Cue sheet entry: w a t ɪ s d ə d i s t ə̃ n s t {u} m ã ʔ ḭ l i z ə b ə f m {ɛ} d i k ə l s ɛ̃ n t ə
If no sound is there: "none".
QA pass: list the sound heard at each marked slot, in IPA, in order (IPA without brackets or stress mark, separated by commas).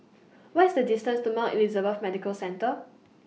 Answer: u, ɛ